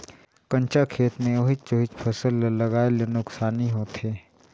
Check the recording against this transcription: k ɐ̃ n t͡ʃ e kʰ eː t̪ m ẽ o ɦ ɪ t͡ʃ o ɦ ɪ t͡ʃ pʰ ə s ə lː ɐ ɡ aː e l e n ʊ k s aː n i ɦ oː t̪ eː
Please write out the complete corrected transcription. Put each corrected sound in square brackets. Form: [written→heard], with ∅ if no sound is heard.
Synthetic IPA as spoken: k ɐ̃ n t͡ʃ [e→a] kʰ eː t̪ m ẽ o ɦ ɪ t͡ʃ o ɦ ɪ t͡ʃ pʰ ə s ə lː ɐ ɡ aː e l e n ʊ k s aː n i ɦ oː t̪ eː